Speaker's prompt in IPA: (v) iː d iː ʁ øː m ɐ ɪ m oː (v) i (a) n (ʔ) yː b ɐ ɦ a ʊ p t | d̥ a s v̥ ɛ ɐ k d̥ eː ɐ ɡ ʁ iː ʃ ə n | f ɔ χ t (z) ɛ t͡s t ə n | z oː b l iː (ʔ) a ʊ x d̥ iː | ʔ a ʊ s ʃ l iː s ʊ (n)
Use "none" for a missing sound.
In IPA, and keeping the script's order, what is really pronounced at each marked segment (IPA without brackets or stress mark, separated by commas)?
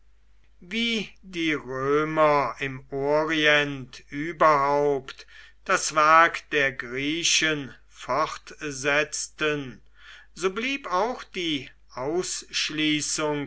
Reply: v, ʁ, ɛ, t, z, p, ŋ